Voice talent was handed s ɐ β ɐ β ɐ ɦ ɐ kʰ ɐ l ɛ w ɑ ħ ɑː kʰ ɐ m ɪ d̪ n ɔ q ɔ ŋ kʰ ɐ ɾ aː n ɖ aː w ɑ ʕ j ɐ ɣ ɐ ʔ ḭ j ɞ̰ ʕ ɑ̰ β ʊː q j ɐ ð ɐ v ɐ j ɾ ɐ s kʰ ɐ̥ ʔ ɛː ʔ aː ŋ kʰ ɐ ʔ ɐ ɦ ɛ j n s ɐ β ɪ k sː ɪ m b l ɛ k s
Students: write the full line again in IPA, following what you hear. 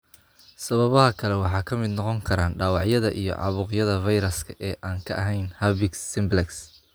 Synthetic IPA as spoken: s ɐ β ɐ β ɐ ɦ ɐ kʰ ɐ l ɛ w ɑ ħ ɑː kʰ ɐ m ɪ d̪ n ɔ q ɔ ŋ kʰ ɐ ɾ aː n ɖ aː w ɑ ʕ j ɐ ð ɐ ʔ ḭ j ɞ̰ ʕ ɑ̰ β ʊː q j ɐ ð ɐ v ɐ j ɾ ɐ s kʰ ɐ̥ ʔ ɛː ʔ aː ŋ kʰ ɐ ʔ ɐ ɦ ɛ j n h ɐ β ɪ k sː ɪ m b l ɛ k s